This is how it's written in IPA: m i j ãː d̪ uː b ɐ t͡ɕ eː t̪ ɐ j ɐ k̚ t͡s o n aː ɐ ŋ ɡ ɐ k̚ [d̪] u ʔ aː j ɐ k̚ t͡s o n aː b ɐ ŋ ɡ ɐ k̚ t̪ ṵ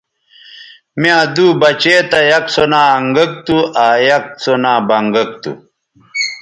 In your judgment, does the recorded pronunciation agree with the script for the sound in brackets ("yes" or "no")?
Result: no